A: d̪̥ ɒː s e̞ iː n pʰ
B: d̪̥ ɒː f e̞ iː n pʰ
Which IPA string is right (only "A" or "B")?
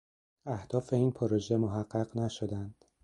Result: B